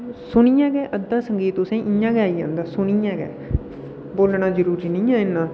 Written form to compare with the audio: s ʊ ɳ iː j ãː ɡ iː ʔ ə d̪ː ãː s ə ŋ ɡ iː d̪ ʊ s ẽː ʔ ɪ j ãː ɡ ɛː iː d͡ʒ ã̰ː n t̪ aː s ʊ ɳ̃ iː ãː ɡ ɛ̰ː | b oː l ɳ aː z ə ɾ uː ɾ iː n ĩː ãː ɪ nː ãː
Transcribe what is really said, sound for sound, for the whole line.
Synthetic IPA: s ʊ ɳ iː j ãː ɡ ɛː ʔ ə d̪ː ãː s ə ŋ ɡ iː t̪ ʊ s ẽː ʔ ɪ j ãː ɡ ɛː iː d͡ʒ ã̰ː n d̪ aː s ʊ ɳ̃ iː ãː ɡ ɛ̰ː | b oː l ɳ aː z ə ɾ uː ɾ iː n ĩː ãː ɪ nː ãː

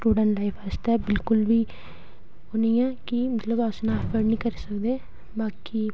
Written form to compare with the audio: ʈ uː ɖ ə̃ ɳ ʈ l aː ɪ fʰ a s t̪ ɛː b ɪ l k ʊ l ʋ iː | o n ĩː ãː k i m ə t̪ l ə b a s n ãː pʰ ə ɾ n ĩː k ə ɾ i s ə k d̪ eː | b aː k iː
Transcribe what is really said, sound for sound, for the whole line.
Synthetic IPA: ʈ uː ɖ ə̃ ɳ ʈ l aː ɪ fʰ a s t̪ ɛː b ɪ l k ʊ l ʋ iː | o n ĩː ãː k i m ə t̪ l ə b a s n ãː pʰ ə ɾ n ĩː k ə ɾ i s ə k d̪ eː | b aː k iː

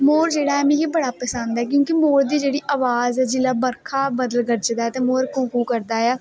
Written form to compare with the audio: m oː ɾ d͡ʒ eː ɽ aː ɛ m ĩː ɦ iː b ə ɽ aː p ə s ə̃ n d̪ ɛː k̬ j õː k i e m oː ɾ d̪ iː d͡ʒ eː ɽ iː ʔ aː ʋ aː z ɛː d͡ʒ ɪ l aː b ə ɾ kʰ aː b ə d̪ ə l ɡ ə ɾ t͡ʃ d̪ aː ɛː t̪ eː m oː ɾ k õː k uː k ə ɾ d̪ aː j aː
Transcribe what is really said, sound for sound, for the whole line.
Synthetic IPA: m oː ɾ d͡ʒ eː ɽ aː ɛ m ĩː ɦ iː b ə ɽ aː p ə s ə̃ n d̪ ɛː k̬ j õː k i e m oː ɾ d̪ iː d͡ʒ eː ɽ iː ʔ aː ʋ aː z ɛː d͡ʒ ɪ l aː b ə ɾ kʰ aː b ə d̪ ə l ɡ ə ɾ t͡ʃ d̪ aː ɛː t̪ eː m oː ɾ k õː k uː k ə ɾ d̪ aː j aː

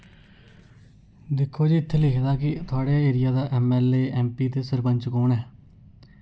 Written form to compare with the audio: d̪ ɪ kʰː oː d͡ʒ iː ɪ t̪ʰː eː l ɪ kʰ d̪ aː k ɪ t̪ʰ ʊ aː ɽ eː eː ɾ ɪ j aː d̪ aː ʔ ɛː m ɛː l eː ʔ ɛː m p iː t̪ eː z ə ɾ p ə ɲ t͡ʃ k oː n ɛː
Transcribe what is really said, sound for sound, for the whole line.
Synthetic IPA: d̪ ɪ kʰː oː d͡ʒ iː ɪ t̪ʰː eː l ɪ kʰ d̪ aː k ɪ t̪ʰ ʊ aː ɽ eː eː ɾ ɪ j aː d̪ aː ʔ ɛː m ɛː l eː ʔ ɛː m p iː t̪ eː s ə ɾ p ə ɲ t͡ʃ k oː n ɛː

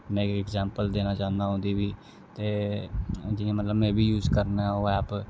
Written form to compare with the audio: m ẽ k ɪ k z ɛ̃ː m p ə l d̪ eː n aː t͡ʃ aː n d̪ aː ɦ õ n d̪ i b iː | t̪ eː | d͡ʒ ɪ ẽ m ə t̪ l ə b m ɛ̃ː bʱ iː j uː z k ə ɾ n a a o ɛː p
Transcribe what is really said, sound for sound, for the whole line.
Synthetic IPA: m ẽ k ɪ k z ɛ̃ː m p ə l d̪ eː n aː t͡ʃ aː n d̪ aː ɦ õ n d̪ i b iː | t̪ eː | d͡ʒ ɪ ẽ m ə t̪ l ə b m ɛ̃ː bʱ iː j uː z k ə ɾ n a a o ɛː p

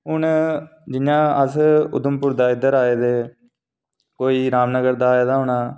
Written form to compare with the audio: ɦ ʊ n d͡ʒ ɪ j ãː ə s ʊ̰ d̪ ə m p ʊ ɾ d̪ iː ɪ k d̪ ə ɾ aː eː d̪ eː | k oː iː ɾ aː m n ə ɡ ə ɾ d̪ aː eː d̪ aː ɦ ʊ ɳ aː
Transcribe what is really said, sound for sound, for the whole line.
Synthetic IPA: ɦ ʊ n d͡ʒ ɪ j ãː ə s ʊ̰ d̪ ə m p ʊ ɾ d̪ aː ɪ d̪ ə ɾ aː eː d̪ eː | k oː iː ɾ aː m n ə ɡ ə ɾ d̪ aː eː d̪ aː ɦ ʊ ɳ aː

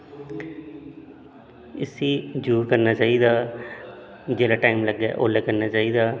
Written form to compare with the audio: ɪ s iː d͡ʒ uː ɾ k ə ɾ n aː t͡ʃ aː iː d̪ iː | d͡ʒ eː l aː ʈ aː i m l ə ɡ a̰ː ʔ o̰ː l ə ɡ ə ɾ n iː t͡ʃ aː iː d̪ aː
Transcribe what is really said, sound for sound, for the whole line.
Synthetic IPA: ɪ s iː d͡ʒ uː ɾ k ə ɾ n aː t͡ʃ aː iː d̪ aː | d͡ʒ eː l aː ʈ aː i m l ə ɡ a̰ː ʔ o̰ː l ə k ə ɾ n aː t͡ʃ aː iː d̪ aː

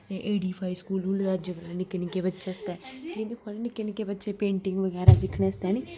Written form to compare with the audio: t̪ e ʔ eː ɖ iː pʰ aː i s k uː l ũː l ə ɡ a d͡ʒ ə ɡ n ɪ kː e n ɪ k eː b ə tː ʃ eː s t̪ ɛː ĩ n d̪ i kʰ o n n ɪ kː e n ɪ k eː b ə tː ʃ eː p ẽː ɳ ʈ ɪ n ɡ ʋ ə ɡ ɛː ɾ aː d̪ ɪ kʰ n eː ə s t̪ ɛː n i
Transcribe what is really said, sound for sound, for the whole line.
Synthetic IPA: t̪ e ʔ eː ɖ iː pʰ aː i s k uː l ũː l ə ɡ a d͡ʒ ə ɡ n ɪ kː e n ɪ k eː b ə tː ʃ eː s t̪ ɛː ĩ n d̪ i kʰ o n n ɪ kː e n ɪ k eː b ə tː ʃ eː p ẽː ɳ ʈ ɪ ŋ ɡ ʋ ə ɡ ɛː ɾ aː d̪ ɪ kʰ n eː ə s t̪ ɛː n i

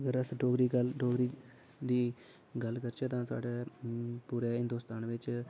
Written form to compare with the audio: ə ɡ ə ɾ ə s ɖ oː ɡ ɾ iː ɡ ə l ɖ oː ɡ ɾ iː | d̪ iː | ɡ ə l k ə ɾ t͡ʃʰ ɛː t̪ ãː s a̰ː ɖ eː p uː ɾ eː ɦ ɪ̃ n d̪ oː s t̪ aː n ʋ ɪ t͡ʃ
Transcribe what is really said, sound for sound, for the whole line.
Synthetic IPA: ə ɡ ə ɾ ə s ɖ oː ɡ ɾ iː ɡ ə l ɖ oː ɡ ɾ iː | d̪ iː | ɡ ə l k ə ɾ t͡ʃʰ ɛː t̪ ãː s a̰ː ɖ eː p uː ɾ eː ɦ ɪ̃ n d̪ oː s t̪ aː n ʋ ɪ t͡ʃ

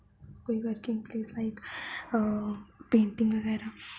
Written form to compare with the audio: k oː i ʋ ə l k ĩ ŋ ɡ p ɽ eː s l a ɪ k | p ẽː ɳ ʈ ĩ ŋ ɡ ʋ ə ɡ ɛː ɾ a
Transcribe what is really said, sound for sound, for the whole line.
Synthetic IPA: k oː i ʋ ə ɾ k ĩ ŋ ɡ p l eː s l a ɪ k | p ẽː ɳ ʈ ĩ ŋ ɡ ʋ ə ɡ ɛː ɾ a

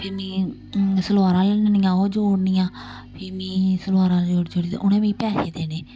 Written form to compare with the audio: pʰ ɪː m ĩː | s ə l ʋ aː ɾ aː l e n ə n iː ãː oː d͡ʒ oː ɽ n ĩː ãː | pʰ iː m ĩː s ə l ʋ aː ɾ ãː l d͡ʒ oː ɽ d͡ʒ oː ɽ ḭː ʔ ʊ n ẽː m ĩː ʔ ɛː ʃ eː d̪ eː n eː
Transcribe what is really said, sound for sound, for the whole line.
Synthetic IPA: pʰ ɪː m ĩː | s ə l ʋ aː ɾ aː l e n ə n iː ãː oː d͡ʒ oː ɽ n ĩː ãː | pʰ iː m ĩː s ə l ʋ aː ɾ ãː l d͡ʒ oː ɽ d͡ʒ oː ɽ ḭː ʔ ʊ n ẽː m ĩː p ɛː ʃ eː d̪ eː n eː

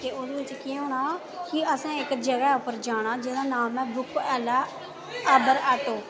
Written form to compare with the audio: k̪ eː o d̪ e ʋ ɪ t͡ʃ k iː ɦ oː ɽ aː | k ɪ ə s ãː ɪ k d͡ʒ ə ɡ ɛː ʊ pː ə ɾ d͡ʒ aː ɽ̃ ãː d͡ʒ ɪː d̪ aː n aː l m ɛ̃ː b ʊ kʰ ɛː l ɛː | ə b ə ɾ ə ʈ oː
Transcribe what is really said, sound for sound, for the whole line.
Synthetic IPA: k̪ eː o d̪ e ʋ ɪ t͡ʃ k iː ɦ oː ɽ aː | k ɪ ə s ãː ɪ k d͡ʒ ə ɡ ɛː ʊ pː ə ɾ d͡ʒ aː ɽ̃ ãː d͡ʒ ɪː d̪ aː n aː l m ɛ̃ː b ʊ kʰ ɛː l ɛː | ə b ə ɾ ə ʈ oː

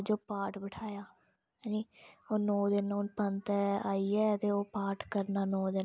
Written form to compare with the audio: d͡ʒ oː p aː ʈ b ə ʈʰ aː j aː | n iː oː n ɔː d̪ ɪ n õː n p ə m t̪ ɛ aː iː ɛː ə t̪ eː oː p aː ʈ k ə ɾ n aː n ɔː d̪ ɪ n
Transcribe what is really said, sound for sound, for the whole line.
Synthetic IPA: d͡ʒ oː p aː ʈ b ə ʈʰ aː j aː | n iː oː n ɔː d̪ ɪ n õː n p ə n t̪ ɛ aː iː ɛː ə t̪ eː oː p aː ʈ k ə ɾ n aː n ɔː d̪ ɪ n

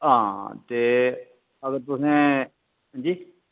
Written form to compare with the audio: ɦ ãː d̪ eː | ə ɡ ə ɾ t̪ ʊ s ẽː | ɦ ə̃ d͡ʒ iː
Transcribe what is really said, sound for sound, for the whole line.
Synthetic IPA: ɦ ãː t̪ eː | ə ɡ ə ɾ t̪ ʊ s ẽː | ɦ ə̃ d͡ʒ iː

